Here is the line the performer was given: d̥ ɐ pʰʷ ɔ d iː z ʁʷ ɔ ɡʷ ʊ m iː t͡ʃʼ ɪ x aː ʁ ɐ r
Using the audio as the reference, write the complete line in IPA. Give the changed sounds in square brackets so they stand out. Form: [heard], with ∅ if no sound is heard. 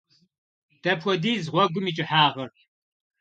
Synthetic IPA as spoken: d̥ ɐ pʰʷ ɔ d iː z ʁʷ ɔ ɡʷ ʊ m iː t͡ʃʼ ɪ [ħ] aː ʁ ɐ r